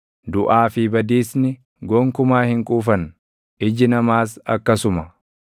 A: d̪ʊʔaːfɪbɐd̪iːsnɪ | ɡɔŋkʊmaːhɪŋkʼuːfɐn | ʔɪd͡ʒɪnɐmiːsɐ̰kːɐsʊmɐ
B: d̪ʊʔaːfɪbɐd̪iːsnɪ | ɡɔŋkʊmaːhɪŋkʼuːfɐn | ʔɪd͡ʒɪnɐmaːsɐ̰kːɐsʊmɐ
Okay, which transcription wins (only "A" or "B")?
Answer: B